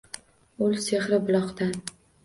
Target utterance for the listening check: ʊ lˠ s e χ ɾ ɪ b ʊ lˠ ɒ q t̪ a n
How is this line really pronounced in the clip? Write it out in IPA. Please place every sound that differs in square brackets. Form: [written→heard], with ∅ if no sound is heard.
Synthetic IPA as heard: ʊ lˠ s e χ ɾ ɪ b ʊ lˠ ɒ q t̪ a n